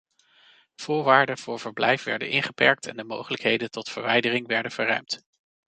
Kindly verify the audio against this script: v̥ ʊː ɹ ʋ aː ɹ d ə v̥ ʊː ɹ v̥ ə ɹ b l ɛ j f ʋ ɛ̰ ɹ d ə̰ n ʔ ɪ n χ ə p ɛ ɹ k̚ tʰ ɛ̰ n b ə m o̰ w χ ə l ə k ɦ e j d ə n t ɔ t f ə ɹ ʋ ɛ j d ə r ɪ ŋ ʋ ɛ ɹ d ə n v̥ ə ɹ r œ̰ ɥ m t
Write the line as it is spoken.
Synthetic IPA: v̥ ʊː ɹ ʋ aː ɹ d ə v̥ ʊː ɹ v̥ ə ɹ b l ɛ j f ʋ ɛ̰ ɹ d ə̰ n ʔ ɪ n χ ə p ɛ ɹ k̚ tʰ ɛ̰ n d ə m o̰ w χ ə l ə k ɦ e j d ə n t ɔ t f ə ɹ ʋ ɛ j d ə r ɪ ŋ ʋ ɛ ɹ d ə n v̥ ə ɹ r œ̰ ɥ m t